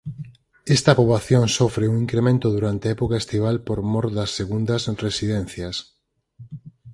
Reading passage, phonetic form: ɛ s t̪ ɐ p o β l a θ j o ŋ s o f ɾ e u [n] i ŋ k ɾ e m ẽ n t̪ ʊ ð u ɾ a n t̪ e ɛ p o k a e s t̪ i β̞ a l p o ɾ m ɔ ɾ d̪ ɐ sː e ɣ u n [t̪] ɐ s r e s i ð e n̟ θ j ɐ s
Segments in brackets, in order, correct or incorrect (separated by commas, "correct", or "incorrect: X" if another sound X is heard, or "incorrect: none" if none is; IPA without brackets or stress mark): incorrect: ŋ, incorrect: d̪